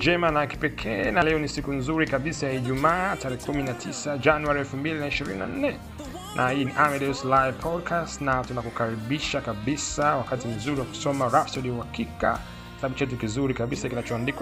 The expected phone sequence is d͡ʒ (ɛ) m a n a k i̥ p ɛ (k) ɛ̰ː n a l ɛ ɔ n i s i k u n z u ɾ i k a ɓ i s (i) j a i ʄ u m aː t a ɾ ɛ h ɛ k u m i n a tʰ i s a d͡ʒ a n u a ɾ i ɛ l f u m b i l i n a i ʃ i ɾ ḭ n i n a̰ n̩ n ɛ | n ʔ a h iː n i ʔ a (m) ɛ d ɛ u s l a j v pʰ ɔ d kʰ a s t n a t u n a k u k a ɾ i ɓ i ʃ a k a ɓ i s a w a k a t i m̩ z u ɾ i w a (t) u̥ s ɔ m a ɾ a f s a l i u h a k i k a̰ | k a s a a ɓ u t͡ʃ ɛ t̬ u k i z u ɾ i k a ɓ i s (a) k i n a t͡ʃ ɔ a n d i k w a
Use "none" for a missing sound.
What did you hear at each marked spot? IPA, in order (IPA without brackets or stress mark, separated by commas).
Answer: ɛ, kʰ, a, m, k, a